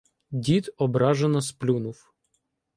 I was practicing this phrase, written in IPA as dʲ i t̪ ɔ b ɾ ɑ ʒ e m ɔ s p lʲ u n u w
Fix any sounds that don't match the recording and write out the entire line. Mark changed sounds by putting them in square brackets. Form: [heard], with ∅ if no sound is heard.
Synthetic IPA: dʲ i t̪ ɔ b ɾ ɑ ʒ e [n] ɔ s p lʲ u n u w